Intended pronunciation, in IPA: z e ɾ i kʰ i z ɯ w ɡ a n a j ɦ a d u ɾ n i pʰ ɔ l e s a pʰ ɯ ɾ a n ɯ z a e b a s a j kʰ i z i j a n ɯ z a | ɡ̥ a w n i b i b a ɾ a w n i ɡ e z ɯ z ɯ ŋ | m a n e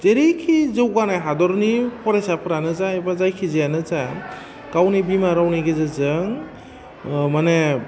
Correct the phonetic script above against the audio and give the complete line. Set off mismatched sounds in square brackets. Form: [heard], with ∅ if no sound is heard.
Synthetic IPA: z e ɾ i kʰ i z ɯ w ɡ a n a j ɦ a d [ɔ] ɾ n i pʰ ɔ [ɾ] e s a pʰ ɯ ɾ a n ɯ z a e b a [z] a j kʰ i z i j a n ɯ z a | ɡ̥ a w n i b i [m] a ɾ a w n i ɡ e z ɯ z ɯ ŋ | m a n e